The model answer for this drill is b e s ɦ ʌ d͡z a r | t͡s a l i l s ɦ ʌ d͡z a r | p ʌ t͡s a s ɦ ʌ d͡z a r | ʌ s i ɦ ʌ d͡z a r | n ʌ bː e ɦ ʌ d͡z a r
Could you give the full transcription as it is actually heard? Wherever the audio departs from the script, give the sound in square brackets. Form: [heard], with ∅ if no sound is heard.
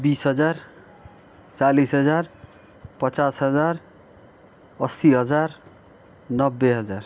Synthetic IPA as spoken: b [i] s ɦ ʌ d͡z a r | t͡s a l i [∅] s ɦ ʌ d͡z a r | p ʌ t͡s a s ɦ ʌ d͡z a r | ʌ s i ɦ ʌ d͡z a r | n ʌ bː e ɦ ʌ d͡z a r